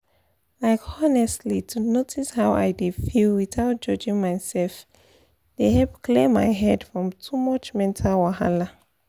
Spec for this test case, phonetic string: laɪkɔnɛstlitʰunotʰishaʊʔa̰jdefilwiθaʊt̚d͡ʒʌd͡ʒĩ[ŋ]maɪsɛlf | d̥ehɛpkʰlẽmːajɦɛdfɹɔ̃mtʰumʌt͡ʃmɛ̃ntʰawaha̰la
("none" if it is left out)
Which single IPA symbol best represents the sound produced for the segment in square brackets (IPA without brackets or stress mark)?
ŋ